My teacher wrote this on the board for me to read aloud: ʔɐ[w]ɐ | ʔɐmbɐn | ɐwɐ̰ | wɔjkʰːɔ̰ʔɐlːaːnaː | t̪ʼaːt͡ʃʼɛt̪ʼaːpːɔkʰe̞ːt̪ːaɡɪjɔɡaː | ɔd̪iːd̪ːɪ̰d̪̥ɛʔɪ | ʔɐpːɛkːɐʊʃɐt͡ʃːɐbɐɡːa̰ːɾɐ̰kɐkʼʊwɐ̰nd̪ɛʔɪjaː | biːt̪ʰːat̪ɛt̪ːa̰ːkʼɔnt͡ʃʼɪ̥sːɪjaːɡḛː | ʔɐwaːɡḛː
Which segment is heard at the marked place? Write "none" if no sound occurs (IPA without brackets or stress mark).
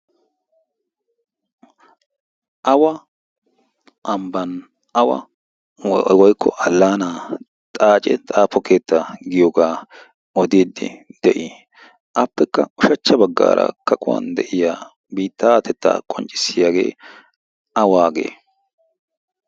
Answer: w